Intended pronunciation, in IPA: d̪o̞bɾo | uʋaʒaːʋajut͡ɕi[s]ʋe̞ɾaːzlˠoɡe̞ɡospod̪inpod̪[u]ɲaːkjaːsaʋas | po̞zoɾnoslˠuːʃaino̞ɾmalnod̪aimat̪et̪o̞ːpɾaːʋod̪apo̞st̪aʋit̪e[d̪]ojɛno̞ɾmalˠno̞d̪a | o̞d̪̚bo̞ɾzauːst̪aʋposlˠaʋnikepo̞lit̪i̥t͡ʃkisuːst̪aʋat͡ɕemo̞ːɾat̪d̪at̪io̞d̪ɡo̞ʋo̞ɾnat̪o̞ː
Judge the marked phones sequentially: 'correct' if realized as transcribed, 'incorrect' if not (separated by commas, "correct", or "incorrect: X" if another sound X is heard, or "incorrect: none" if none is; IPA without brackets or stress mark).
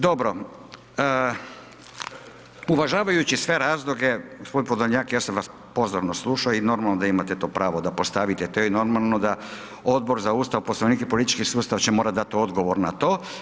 correct, incorrect: o, incorrect: t̪